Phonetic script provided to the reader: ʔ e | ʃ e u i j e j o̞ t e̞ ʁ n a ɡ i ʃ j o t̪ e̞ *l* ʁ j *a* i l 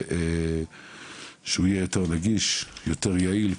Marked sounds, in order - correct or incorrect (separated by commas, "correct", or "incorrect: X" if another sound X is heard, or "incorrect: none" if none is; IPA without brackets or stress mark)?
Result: incorrect: none, correct